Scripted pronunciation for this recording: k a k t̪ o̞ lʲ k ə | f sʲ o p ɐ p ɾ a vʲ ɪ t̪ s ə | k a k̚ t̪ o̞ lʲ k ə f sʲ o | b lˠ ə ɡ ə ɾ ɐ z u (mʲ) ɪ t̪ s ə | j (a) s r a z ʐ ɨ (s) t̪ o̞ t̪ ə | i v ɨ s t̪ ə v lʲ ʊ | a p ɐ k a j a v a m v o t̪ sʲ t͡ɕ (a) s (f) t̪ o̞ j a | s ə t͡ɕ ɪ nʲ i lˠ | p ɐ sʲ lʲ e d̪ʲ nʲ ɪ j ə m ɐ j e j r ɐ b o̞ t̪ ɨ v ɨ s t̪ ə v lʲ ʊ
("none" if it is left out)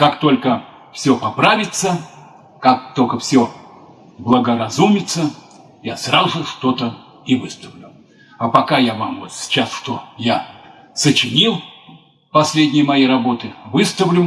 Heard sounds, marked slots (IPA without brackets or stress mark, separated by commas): mʲ, a, ʂ, a, ʂ